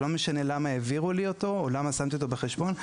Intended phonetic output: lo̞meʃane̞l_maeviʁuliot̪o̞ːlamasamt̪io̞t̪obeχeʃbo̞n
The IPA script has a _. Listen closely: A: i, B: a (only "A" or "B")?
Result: B